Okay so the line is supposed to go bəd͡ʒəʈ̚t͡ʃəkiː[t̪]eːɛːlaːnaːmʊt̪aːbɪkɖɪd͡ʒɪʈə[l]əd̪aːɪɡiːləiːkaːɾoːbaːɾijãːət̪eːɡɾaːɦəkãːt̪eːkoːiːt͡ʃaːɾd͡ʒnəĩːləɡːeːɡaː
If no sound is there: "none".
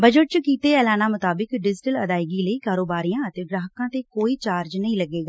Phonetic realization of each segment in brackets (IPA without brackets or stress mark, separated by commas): t̪, l